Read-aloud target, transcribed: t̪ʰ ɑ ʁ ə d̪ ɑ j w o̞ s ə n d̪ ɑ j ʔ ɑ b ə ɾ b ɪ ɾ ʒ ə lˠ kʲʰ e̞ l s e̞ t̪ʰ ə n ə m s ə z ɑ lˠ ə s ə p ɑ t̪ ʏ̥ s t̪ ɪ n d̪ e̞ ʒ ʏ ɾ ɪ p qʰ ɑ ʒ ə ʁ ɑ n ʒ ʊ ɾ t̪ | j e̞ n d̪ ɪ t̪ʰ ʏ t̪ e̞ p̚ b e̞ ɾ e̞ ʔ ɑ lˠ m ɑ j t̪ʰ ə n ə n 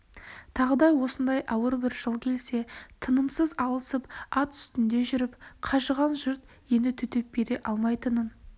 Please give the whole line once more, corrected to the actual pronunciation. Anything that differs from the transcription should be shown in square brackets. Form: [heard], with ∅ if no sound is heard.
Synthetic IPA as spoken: t̪ʰ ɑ ʁ ə d̪ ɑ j w o̞ s ə n d̪ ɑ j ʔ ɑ [w] ə ɾ b ɪ ɾ ʒ ə lˠ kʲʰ e̞ l s e̞ t̪ʰ ə n ə m s ə z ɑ lˠ ə s ə p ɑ t̪ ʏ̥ s t̪ ɪ n d̪ e̞ ʒ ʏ ɾ ɪ p qʰ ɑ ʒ ə ʁ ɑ n ʒ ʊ ɾ t̪ | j e̞ n d̪ ɪ t̪ʰ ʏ t̪ e̞ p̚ b e̞ ɾ e̞ ʔ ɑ lˠ m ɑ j [t̪] ə n ə n